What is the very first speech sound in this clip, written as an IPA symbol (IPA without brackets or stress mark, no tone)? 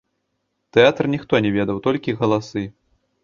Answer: t̪